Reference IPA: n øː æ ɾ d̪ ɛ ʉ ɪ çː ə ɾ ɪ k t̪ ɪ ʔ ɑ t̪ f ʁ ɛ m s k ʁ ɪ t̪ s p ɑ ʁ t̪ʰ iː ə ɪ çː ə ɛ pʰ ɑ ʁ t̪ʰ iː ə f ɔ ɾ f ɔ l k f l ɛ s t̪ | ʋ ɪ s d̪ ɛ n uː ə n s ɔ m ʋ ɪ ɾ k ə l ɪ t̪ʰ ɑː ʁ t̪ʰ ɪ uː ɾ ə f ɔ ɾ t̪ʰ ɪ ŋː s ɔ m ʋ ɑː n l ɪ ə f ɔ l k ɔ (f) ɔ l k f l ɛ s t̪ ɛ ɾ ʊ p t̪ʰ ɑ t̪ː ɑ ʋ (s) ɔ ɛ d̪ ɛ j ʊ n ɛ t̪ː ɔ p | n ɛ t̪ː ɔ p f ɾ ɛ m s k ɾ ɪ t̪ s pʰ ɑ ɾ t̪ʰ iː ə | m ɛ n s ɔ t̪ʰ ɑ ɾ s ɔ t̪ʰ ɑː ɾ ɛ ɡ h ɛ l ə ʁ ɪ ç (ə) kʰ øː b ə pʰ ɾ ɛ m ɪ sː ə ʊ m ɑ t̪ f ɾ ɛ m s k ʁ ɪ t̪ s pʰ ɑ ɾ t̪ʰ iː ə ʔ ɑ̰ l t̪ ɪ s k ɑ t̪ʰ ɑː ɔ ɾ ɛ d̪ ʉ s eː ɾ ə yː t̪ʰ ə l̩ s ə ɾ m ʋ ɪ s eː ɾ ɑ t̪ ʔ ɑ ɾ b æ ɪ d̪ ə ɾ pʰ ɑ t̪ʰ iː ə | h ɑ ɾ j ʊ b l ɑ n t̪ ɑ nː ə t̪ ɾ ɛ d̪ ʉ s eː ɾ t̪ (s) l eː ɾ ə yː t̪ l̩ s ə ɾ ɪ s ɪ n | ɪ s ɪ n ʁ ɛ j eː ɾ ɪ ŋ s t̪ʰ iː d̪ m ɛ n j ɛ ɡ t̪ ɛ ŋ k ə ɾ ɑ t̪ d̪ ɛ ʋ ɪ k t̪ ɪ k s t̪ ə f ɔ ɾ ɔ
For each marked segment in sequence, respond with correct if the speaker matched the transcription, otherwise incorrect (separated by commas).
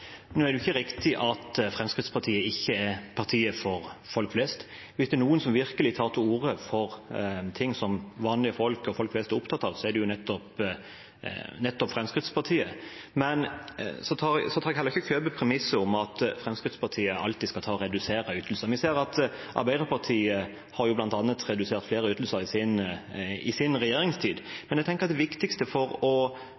correct, correct, correct, incorrect